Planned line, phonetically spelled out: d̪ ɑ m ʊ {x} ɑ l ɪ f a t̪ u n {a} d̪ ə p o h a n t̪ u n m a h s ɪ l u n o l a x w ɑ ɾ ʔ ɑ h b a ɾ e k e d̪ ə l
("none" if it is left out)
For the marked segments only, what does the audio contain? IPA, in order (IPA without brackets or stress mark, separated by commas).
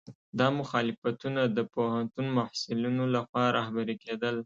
x, a